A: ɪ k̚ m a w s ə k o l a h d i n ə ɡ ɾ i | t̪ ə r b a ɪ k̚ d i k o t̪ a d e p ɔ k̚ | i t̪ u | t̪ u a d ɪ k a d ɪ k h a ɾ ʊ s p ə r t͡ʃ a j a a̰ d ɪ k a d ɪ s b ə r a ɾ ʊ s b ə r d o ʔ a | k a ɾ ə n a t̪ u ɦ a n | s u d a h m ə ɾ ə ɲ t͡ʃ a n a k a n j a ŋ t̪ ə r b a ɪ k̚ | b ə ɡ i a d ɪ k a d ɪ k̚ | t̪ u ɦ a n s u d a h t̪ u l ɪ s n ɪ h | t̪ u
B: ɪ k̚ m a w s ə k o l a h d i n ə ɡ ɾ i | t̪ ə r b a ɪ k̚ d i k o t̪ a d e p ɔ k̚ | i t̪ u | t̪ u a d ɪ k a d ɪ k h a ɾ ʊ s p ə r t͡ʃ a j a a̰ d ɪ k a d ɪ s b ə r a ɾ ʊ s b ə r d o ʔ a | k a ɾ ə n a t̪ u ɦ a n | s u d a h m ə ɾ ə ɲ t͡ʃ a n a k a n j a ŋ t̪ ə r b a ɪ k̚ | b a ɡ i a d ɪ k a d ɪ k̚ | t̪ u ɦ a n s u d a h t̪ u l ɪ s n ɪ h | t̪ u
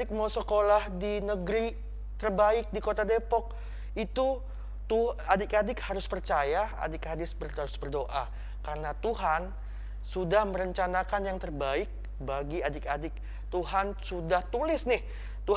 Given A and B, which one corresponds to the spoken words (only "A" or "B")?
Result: B